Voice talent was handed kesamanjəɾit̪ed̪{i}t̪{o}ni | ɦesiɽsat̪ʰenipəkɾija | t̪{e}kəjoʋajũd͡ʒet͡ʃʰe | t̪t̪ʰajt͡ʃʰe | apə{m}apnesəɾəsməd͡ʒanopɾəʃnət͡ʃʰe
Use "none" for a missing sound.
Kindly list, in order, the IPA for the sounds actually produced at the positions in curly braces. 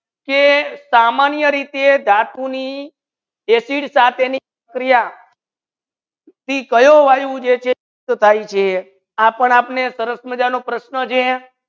a, u, i, ɳ

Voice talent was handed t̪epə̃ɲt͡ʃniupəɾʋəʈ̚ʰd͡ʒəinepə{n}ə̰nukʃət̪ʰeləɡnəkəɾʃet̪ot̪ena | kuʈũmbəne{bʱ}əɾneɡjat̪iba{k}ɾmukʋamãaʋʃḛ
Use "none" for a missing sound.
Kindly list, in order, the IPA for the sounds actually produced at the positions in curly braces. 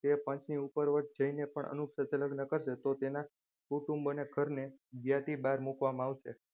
ɳ, ɡʱ, none

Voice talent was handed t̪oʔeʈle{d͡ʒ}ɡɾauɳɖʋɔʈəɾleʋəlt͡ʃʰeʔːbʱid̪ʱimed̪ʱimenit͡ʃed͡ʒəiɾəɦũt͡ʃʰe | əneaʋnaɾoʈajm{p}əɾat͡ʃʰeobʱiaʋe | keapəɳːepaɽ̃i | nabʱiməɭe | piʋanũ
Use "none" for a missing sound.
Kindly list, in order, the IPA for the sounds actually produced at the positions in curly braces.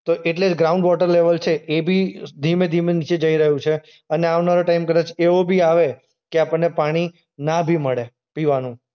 d͡ʒ, k

